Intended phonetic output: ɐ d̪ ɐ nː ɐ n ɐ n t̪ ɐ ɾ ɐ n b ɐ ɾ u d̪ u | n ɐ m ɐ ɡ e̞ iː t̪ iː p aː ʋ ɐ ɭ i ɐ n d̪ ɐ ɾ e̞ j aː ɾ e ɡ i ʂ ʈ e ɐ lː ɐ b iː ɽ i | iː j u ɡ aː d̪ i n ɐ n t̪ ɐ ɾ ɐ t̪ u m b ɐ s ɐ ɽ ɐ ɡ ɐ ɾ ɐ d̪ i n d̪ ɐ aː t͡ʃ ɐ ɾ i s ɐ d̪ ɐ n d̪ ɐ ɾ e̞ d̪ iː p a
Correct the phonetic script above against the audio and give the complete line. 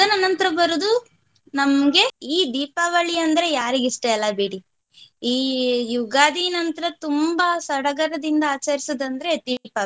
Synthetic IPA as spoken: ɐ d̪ ɐ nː ɐ n ɐ n t̪ ɐ ɾ ɐ b ɐ ɾ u d̪ u | n ɐ m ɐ ɡ e̞ iː d̪ iː p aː ʋ ɐ ɭ i ɐ n d̪ ɐ ɾ e̞ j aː ɾ i ɡ i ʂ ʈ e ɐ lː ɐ b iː ɽ i | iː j u ɡ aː d̪ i n ɐ n t̪ ɐ ɾ ɐ t̪ u m b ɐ s ɐ ɽ ɐ ɡ ɐ ɾ ɐ d̪ i n d̪ ɐ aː t͡ʃ ɐ ɾ i s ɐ d̪ ɐ n d̪ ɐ ɾ e̞ d̪ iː p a